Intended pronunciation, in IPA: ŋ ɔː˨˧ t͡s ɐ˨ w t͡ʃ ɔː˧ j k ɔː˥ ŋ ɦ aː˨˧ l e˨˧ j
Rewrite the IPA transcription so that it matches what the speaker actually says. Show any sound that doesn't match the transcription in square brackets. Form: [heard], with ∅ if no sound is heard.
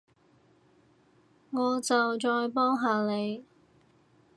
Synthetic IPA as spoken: ŋ ɔː˨˧ t͡s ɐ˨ w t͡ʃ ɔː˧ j [p] ɔː˥ ŋ ɦ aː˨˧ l e˨˧ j